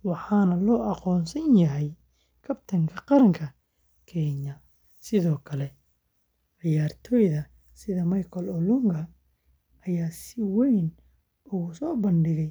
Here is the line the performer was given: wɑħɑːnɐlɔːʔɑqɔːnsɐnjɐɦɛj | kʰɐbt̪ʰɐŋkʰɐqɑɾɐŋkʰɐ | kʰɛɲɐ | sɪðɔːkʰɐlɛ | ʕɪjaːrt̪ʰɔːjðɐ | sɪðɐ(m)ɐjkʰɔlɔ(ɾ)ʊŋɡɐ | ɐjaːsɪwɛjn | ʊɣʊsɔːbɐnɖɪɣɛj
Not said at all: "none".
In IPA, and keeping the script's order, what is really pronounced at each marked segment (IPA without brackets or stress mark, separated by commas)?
m, l